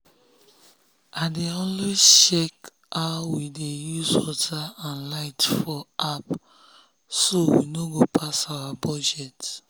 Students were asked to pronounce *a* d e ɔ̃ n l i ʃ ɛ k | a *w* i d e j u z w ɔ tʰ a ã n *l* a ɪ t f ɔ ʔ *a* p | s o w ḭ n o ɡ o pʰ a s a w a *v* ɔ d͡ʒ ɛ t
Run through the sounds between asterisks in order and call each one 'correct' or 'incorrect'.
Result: correct, correct, correct, correct, incorrect: b

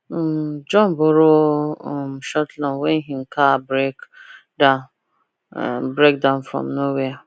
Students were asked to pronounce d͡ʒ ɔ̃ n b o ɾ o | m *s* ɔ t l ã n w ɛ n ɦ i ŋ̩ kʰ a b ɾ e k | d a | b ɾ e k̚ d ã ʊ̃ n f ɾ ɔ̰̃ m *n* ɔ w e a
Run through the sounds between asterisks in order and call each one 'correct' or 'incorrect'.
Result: incorrect: ʃ, correct

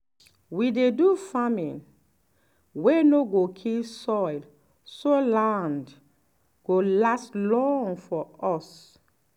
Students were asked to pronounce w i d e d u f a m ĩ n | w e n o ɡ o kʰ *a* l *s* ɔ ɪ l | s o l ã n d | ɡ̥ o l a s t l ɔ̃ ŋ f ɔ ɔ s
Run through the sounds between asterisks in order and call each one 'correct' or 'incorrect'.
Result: incorrect: i, correct

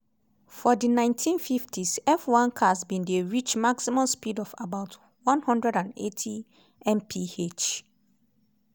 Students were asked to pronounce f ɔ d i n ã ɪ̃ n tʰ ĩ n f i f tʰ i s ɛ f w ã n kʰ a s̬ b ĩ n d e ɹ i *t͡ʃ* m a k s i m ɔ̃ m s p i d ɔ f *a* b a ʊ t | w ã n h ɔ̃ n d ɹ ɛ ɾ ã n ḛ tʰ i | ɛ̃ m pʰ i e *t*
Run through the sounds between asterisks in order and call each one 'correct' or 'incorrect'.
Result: correct, correct, incorrect: t͡ʃ

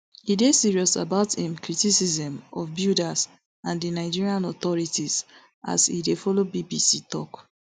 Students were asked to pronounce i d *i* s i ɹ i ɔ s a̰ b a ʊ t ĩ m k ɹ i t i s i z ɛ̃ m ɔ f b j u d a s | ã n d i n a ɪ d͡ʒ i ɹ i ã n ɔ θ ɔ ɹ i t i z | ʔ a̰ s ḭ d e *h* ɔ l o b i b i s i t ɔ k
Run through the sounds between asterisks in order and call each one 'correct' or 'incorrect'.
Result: incorrect: e, incorrect: f

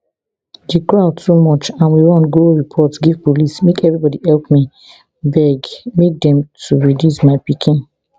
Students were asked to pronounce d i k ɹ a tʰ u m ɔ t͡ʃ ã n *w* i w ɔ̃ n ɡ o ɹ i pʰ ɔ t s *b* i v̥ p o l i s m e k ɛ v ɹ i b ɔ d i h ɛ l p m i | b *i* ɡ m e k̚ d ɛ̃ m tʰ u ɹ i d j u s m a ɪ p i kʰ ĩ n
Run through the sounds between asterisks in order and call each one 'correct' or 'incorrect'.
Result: correct, incorrect: ɡ, incorrect: ɛ

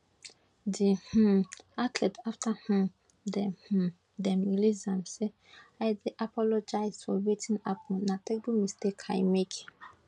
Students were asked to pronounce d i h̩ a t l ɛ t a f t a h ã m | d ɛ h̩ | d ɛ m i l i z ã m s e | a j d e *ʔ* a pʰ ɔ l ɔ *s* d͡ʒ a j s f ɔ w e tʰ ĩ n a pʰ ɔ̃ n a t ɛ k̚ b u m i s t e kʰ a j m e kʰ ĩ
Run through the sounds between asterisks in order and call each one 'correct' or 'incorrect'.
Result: correct, incorrect: none

